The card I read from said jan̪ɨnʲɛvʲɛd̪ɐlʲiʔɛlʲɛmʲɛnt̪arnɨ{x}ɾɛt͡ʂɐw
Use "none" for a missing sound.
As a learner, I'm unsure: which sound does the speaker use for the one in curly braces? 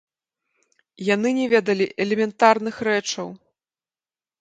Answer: x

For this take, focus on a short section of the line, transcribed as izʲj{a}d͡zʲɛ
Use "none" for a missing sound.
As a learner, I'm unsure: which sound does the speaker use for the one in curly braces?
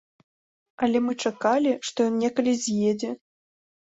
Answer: e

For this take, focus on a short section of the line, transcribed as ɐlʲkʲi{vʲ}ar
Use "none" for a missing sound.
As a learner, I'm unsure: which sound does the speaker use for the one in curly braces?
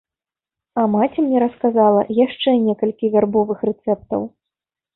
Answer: vʲ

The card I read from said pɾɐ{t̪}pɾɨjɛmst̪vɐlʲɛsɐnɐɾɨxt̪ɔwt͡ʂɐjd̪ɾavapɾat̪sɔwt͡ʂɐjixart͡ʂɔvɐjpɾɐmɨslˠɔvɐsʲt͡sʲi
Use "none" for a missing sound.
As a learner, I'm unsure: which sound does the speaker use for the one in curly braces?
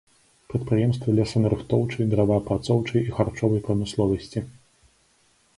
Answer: t̪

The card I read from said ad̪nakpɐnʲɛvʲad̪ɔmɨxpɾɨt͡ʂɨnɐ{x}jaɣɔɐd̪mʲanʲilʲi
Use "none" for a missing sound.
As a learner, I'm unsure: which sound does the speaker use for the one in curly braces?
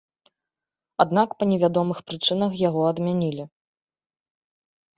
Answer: x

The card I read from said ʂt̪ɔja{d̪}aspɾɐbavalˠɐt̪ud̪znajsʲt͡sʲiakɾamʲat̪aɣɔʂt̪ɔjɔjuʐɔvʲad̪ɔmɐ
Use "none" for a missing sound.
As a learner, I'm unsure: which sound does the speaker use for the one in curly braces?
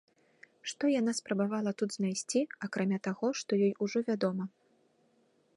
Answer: n̪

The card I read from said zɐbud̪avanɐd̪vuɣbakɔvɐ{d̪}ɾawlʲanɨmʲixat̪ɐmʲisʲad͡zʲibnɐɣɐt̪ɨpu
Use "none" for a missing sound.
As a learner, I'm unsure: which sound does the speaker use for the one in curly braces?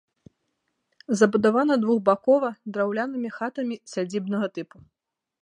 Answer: d̪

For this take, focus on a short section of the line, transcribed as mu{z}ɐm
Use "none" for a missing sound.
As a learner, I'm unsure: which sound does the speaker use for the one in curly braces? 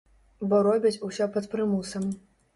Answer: s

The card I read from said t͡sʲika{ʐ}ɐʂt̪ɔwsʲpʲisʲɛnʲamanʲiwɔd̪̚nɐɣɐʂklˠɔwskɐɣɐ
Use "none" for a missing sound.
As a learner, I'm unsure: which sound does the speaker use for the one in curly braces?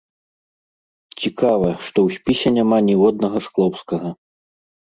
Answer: v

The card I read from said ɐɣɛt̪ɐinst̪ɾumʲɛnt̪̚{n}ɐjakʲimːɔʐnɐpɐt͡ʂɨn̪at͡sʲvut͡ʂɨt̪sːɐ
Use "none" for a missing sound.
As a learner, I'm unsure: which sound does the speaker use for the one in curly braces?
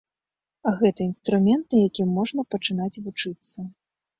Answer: n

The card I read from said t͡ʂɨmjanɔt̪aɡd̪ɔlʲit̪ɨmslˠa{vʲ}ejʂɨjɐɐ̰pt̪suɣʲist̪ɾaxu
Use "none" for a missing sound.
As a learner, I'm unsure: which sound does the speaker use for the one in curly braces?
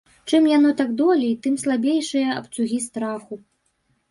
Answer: bʲ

